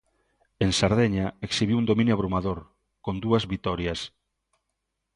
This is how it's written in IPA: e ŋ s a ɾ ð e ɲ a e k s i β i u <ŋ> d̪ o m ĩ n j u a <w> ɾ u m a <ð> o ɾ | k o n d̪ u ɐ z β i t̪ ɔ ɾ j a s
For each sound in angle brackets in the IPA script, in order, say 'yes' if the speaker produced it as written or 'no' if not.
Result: no, no, yes

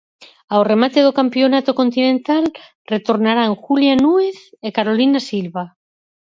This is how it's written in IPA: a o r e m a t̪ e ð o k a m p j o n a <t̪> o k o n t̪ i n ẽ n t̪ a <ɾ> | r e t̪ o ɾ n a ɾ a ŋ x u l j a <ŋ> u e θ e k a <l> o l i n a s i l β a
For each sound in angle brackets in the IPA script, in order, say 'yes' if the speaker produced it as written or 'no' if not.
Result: yes, no, no, no

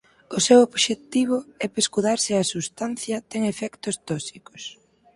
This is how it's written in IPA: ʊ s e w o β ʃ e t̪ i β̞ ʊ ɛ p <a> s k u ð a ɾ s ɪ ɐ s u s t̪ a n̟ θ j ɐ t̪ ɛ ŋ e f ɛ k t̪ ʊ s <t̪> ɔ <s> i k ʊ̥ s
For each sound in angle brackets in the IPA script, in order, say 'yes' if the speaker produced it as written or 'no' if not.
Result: no, yes, yes

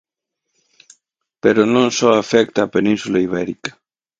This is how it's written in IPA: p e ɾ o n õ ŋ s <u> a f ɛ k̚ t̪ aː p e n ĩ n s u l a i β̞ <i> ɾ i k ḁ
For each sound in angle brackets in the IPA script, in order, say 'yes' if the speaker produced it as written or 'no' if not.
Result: no, no

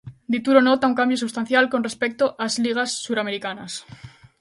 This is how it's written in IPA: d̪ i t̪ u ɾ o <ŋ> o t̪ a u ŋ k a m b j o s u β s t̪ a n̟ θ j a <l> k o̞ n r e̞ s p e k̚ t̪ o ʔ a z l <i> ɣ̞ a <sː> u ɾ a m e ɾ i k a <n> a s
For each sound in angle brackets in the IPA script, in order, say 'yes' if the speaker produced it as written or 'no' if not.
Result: no, yes, yes, yes, yes

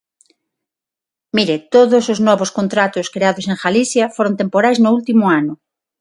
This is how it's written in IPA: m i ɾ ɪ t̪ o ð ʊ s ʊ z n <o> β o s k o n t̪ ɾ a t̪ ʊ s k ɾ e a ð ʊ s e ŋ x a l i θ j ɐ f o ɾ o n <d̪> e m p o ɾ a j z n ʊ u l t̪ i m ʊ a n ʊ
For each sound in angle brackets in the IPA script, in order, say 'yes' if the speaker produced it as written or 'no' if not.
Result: no, no

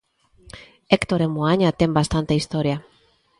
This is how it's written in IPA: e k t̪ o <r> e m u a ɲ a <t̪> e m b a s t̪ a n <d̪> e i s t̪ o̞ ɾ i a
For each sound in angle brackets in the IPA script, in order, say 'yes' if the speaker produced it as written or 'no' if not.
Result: no, yes, no

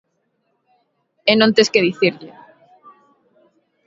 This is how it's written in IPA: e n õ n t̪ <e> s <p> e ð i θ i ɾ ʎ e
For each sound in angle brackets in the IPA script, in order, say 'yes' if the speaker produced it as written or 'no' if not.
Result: yes, no

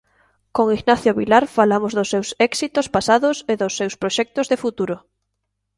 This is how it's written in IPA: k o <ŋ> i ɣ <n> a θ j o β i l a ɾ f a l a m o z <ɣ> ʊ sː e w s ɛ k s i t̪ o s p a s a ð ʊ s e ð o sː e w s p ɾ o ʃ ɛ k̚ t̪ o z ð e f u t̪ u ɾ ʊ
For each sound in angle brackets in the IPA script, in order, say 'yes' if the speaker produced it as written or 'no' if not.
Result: yes, yes, no

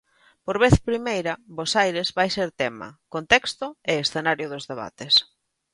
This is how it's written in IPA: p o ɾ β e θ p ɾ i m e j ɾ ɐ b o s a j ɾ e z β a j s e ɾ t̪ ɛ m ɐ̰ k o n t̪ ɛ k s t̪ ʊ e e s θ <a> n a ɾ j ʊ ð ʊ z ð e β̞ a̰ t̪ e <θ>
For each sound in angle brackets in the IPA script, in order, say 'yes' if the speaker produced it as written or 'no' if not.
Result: no, no

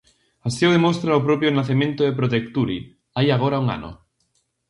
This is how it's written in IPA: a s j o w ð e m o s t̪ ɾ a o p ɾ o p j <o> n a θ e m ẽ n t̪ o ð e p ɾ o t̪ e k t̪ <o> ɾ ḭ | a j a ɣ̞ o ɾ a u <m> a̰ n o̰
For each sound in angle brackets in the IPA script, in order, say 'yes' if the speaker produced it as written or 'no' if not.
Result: yes, no, no

